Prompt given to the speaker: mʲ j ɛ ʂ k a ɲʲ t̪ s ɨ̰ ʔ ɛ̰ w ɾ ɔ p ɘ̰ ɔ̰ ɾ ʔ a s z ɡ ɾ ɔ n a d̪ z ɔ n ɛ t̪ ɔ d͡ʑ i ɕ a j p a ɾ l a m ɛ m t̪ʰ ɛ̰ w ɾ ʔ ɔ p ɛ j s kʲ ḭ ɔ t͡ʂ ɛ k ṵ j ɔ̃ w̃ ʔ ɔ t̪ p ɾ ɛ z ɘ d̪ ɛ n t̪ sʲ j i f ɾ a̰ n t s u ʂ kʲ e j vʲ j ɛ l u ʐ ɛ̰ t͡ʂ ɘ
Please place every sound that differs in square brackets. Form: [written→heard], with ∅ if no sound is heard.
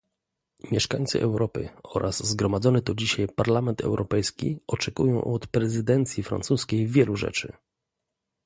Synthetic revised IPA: mʲ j ɛ ʂ k a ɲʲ t̪ s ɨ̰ ʔ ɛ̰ w ɾ ɔ p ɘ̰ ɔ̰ ɾ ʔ a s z ɡ ɾ ɔ [n→m] a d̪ z ɔ n ɛ t̪ ɔ d͡ʑ i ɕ a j p a ɾ l a m ɛ [m→n] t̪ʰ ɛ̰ w ɾ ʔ ɔ p ɛ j s kʲ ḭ ɔ t͡ʂ ɛ k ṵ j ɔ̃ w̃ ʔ ɔ t̪ p ɾ ɛ z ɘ d̪ ɛ n t̪ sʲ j i f ɾ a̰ n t s u [ʂ→s] kʲ e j vʲ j ɛ l u ʐ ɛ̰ t͡ʂ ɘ